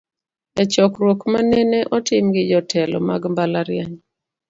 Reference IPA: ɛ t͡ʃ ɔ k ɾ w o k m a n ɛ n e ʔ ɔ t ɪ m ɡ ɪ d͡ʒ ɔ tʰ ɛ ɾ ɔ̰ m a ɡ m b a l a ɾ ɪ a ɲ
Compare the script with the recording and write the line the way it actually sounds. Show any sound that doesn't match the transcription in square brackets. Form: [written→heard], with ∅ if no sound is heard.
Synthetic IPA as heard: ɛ t͡ʃ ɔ k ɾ w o k m a n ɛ n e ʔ ɔ t ɪ m ɡ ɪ d͡ʒ ɔ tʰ ɛ [ɾ→l] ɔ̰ m a ɡ m b a l a ɾ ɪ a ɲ

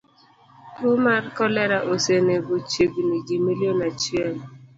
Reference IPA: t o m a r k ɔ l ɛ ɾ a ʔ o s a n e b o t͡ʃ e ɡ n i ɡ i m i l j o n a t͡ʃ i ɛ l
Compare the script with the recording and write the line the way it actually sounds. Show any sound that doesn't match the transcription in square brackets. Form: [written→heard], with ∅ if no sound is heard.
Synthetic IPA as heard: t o m a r k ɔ l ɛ ɾ a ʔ o s [a→e] n e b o t͡ʃ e ɡ n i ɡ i m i l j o n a t͡ʃ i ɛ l

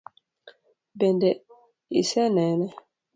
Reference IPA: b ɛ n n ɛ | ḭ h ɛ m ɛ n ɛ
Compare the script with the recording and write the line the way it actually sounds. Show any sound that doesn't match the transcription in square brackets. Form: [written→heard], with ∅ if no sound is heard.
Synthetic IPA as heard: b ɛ n [n→d] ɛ | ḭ [h→s] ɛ [m→n] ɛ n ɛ

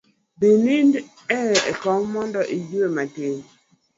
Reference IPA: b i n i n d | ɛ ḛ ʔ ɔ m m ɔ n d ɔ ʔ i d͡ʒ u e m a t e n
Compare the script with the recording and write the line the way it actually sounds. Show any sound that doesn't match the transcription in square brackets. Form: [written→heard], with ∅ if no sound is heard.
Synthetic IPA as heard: b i n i n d | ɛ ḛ [ʔ→k] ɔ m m ɔ n d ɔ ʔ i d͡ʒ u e m a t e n

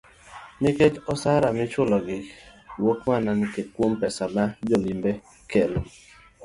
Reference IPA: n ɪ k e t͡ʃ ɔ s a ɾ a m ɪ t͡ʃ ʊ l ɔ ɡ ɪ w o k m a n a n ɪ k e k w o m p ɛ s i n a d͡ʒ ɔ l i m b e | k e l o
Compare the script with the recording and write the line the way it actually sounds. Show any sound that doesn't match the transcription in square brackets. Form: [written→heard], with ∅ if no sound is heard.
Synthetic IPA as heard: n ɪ k e t͡ʃ ɔ s a ɾ a m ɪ t͡ʃ ʊ l ɔ ɡ ɪ w o k m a n a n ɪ k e k w o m p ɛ s [i→a] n a d͡ʒ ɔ l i m b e | k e l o

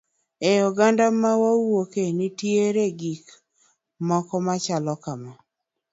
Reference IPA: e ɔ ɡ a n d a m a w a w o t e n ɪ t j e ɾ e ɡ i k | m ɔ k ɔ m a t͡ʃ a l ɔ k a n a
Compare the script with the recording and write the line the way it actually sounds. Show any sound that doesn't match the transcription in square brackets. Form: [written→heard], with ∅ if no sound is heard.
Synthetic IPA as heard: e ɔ ɡ a n d a m a w a w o [t→k] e n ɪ t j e ɾ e ɡ i k | m ɔ k ɔ m a t͡ʃ a l ɔ k a [n→m] a

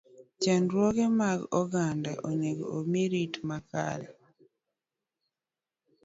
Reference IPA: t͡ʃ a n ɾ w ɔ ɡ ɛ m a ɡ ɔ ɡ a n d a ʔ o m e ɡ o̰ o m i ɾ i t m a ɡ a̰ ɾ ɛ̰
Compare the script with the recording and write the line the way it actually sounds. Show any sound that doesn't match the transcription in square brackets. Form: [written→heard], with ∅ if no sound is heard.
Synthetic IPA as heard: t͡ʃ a n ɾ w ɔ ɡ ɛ m a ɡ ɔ ɡ a n d a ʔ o [m→ɲ] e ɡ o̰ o m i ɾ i t m a [ɡ→k] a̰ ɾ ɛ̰

